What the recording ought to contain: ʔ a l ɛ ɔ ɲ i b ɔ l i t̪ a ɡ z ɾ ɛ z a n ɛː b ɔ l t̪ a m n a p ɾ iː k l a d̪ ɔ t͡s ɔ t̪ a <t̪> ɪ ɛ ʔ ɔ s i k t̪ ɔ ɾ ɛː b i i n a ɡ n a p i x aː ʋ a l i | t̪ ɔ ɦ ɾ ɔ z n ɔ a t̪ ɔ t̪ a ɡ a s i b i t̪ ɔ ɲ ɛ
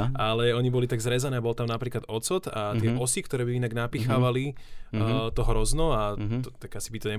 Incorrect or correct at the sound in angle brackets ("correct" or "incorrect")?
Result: correct